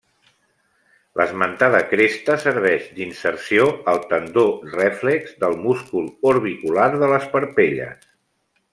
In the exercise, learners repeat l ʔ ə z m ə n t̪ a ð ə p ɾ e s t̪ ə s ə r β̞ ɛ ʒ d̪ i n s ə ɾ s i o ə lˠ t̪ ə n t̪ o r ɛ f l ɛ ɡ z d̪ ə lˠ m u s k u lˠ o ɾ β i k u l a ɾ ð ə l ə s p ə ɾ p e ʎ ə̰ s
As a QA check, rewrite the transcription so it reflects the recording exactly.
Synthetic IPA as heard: l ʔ ə z m ə n t̪ a ð ə k ɾ e s t̪ ə s ə ɾ β̞ ɛ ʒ d̪ i n s ə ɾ s i o ə lˠ t̪ ə n d̪ o r ɛ f l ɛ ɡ z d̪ ə lˠ m u s k u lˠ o ɾ β i k u l a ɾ ð ə l ə s p ə ɾ p e ʎ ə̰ s